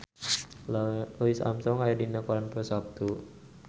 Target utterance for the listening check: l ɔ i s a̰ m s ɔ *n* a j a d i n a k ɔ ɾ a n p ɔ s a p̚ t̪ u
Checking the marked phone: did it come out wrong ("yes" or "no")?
yes